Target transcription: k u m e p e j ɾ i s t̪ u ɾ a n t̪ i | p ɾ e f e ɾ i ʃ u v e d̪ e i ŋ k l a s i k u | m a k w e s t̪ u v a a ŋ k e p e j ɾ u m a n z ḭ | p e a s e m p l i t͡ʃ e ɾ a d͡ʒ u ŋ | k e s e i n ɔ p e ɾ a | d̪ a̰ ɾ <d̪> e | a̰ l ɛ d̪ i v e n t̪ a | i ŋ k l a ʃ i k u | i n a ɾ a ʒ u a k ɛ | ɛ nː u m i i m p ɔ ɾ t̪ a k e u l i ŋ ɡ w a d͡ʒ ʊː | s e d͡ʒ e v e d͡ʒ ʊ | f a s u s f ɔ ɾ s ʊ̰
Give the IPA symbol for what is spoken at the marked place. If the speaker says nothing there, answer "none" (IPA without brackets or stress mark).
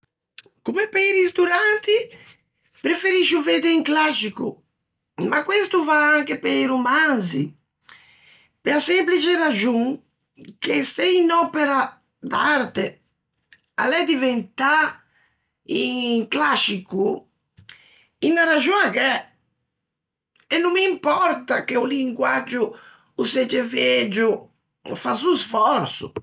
t̪